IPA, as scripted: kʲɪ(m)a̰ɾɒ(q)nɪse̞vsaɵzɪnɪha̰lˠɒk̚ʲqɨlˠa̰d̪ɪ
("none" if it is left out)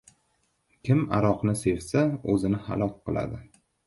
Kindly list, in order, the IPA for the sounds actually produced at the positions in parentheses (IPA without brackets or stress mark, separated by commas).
m, q